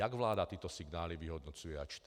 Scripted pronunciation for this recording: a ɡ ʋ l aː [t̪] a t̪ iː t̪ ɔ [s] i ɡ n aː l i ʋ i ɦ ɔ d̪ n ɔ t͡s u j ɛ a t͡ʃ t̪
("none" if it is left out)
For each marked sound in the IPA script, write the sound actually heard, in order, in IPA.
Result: d̪, s

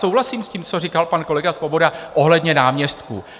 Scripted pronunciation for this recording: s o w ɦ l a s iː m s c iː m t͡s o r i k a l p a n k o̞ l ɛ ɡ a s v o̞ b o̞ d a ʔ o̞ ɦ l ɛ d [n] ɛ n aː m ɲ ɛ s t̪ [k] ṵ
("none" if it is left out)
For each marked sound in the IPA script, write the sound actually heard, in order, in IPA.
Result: ɲ, k

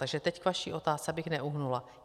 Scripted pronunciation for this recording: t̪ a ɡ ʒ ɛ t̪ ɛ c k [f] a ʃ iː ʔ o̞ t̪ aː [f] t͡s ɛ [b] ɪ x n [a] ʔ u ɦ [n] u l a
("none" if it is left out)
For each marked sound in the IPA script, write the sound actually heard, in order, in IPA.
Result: v, s, b, ɛ, n

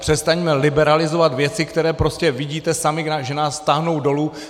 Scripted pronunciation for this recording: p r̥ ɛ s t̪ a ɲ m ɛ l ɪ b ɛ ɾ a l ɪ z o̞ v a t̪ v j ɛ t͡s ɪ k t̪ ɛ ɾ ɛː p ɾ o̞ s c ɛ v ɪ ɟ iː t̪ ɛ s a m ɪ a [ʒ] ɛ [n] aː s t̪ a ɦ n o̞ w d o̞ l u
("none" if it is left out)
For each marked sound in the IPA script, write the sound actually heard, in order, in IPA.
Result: ʒ, n

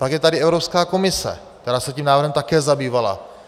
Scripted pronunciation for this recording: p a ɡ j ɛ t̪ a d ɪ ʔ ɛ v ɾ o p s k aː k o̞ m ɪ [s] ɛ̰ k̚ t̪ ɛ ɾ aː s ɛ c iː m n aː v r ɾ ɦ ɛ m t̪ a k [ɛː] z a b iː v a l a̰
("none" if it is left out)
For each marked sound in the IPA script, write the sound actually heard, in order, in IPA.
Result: s, ɛː

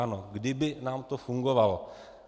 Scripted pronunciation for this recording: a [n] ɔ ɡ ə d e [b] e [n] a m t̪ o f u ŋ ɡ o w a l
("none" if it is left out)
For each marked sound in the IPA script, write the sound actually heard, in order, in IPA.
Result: n, b, n

